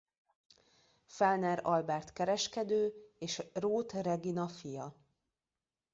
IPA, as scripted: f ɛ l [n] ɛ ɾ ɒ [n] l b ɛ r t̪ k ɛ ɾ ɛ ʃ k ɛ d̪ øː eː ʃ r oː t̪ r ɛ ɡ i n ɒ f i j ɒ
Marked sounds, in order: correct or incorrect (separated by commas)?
correct, incorrect